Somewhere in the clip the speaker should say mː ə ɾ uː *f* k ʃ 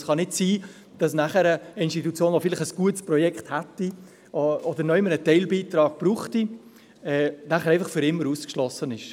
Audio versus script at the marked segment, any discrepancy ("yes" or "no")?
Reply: yes